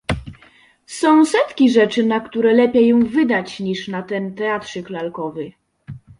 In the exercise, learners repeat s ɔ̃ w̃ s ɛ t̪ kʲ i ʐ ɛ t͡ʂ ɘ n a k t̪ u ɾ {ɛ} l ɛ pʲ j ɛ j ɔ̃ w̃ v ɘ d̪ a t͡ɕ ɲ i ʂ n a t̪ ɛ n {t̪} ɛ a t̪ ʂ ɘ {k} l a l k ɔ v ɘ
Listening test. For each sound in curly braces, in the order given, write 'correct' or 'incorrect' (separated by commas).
correct, correct, correct